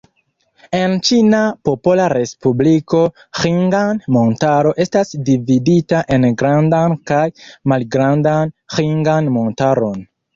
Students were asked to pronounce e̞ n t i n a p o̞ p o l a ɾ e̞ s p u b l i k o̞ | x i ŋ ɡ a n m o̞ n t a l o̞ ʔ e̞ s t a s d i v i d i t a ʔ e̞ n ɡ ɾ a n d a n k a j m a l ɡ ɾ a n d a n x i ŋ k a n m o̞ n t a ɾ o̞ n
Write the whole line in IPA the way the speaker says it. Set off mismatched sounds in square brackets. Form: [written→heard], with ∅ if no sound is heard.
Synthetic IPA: e̞ n [t→t͡ʃ] i n a p o̞ p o l a ɾ e̞ s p u b l i k o̞ | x i ŋ ɡ a n m o̞ n t a [l→ɾ] o̞ ʔ e̞ s t a s d i v i d i t a ʔ e̞ n ɡ ɾ a n d a n k a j m a l ɡ ɾ a n d a n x i ŋ [k→ɡ] a n m o̞ n t a ɾ o̞ n